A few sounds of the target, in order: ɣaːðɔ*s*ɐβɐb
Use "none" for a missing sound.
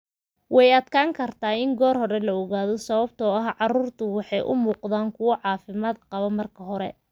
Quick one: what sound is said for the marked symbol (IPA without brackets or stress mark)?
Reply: s